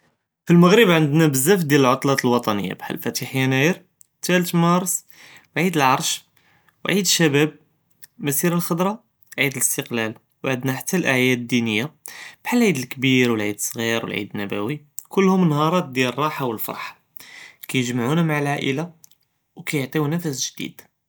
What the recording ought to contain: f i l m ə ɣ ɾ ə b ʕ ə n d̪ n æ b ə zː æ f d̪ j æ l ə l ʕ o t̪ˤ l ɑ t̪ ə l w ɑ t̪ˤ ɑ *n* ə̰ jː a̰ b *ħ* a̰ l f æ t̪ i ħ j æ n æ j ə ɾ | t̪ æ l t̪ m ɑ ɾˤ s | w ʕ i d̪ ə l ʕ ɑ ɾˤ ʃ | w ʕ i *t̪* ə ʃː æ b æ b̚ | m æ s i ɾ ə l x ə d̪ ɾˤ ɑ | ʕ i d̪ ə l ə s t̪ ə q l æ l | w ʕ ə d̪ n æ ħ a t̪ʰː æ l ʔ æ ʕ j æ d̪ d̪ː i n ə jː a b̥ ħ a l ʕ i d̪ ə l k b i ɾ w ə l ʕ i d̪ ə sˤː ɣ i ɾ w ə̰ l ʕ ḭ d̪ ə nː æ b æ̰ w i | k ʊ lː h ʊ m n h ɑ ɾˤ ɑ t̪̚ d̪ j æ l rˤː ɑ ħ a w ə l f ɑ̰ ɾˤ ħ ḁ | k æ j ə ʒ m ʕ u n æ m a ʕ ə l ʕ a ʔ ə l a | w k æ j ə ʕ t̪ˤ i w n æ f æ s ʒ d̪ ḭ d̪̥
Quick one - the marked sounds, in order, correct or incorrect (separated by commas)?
correct, correct, incorrect